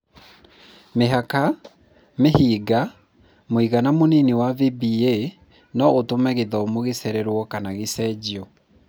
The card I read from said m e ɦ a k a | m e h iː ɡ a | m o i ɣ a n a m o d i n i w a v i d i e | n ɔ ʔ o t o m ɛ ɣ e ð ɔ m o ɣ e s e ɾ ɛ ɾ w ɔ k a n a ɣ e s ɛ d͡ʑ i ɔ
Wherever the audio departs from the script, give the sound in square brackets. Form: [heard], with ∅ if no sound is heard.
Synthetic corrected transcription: m e ɦ a k a | m e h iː ɡ a | m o i ɣ a n a m o [n] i n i w a v i [b] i e | n ɔ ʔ o t o m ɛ ɣ e ð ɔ m o ɣ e s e ɾ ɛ ɾ w ɔ k a n a ɣ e s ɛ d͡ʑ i ɔ